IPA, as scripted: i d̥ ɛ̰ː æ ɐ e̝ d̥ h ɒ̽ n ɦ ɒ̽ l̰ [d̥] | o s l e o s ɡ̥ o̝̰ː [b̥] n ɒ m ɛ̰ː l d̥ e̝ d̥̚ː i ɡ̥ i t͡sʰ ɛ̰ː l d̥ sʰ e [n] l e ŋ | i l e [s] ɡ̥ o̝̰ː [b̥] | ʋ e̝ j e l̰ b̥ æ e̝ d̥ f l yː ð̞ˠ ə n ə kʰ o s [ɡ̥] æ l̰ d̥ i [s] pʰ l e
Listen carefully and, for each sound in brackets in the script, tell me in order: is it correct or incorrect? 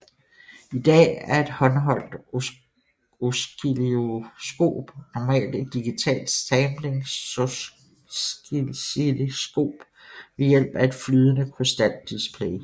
correct, correct, incorrect: m, correct, correct, incorrect: d̥, correct

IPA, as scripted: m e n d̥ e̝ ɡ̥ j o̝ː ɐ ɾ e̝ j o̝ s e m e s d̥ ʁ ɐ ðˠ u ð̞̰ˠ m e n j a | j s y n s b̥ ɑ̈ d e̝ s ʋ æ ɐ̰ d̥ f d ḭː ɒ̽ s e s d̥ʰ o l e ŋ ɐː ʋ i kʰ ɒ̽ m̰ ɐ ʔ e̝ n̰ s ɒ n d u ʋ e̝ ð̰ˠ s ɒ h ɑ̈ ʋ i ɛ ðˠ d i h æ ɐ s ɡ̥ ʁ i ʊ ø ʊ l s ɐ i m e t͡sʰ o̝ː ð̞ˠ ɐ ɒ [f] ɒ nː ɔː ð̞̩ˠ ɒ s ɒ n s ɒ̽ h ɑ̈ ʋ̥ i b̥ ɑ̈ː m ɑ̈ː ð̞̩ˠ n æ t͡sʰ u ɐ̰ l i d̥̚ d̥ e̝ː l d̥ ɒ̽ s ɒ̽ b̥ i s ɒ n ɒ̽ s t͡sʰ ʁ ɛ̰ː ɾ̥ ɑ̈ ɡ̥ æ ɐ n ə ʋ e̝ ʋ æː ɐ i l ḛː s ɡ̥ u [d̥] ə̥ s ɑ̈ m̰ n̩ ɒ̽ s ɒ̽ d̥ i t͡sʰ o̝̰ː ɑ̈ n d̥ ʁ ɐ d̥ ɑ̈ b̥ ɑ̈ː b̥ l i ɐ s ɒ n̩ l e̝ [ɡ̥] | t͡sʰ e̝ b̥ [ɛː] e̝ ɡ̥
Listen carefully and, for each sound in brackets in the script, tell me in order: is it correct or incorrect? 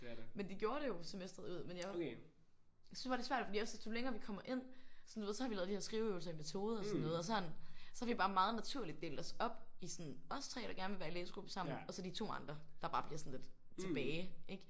incorrect: s, incorrect: b̥, incorrect: d̥, correct

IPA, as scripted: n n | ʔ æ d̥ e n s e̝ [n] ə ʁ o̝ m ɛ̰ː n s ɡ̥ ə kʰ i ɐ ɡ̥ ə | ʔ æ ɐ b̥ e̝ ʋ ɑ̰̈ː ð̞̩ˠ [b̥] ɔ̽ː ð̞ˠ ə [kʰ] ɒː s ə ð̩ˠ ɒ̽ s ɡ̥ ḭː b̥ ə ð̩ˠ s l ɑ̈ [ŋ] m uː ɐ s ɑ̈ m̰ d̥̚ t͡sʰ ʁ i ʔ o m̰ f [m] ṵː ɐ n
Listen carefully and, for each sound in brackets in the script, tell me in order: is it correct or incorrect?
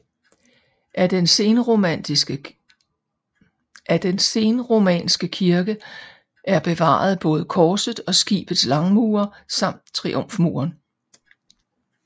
correct, correct, correct, correct, correct

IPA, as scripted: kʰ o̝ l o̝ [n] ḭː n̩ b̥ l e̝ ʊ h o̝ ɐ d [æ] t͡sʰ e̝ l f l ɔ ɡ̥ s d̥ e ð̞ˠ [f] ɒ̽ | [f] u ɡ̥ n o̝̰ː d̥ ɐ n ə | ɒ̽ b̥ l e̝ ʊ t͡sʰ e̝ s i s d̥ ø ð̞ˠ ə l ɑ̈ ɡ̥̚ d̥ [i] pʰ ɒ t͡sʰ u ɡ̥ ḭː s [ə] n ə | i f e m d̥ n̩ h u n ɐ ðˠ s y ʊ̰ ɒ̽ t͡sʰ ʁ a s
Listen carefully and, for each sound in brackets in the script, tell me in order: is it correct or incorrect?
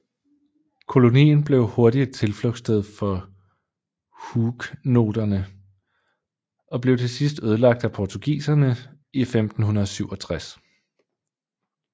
correct, incorrect: i, correct, incorrect: h, incorrect: æ, incorrect: ɐ

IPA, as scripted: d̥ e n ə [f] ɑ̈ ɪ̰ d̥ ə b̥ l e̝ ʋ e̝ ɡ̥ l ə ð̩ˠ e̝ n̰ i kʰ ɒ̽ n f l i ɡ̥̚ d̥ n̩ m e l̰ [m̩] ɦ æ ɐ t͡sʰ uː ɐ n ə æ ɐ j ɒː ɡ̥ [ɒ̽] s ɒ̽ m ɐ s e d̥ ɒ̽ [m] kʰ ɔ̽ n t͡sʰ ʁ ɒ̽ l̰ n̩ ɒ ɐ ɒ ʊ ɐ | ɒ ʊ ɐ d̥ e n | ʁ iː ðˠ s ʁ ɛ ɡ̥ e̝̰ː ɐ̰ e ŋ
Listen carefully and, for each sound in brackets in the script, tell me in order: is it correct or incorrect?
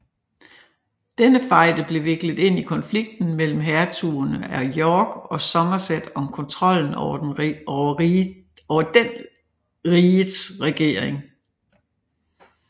correct, correct, correct, correct

